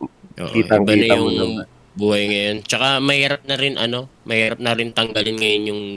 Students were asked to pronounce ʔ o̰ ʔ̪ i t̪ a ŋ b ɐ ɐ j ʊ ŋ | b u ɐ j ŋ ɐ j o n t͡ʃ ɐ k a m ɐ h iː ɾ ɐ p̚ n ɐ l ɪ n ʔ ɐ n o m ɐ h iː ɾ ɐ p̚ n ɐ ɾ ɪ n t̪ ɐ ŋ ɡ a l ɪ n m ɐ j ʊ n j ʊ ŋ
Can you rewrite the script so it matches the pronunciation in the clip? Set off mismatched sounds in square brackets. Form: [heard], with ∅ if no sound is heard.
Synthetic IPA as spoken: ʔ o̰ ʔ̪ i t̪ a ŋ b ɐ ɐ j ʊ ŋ | b u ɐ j ŋ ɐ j o n t͡ʃ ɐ k a m ɐ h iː ɾ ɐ p̚ n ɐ [ɾ] ɪ n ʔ ɐ n o m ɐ h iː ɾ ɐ p̚ n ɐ ɾ ɪ n t̪ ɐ ŋ ɡ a l ɪ n [ŋ] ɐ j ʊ n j ʊ ŋ